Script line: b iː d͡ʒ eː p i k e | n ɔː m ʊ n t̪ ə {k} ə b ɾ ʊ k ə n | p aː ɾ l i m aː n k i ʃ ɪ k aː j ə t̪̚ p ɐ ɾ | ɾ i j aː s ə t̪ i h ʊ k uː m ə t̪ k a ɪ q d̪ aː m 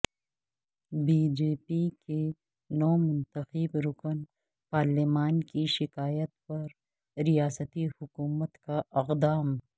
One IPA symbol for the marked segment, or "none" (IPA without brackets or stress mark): x